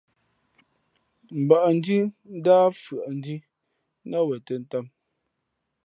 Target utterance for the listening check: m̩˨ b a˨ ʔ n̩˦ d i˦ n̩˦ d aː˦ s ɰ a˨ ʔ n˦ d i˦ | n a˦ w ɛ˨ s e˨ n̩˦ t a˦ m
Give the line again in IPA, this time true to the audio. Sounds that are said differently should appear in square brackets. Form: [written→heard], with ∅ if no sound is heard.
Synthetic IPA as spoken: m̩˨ b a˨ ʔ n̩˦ d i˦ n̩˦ d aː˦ [s→f] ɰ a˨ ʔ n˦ d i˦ | n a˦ w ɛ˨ [s→t] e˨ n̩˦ t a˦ m

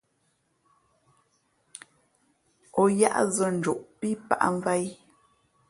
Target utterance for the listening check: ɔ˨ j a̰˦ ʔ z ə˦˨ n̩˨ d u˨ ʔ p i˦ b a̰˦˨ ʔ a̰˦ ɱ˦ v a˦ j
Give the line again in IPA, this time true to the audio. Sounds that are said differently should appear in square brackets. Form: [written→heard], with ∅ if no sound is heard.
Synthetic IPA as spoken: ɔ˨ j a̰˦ ʔ z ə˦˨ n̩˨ [d→d͡ʒ] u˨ ʔ p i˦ [b→p] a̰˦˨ ʔ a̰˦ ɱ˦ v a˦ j

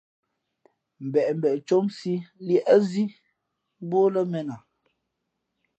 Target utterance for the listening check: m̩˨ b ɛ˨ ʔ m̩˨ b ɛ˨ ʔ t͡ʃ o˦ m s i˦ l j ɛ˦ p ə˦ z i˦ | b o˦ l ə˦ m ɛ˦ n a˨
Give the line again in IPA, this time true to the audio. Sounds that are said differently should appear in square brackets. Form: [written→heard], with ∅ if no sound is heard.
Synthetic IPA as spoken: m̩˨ b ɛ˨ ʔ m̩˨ b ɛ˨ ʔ t͡ʃ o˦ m s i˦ l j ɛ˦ [p→ʔ] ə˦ z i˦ | b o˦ l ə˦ m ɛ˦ n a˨

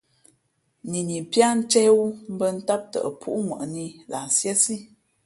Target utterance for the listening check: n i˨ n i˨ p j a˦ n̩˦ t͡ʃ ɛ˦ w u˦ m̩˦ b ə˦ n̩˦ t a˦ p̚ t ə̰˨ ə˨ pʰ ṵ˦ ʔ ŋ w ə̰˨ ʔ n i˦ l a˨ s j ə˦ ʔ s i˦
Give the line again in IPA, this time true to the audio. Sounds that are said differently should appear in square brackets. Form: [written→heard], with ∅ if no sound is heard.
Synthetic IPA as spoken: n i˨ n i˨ p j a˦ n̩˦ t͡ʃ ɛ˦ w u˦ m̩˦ b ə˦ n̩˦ t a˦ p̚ t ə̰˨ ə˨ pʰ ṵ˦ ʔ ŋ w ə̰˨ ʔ n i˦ l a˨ s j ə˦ [ʔ→∅] s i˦

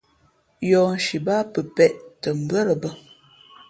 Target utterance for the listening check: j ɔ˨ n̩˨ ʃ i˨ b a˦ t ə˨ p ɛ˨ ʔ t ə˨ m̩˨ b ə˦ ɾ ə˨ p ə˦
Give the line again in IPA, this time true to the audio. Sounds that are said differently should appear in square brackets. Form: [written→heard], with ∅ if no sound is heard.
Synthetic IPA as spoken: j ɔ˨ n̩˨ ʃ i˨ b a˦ [t→p] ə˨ p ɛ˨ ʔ t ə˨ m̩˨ b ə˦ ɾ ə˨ [p→b] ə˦

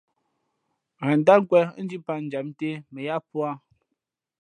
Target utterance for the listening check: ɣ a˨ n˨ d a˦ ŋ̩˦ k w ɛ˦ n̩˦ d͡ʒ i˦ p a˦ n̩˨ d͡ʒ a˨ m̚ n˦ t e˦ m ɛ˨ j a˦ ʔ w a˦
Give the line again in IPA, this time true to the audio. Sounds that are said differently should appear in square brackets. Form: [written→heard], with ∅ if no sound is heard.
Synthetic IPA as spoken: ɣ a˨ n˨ d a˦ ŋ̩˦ k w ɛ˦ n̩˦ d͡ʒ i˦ p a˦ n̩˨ d͡ʒ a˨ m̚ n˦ t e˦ m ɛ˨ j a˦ [ʔ→p] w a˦

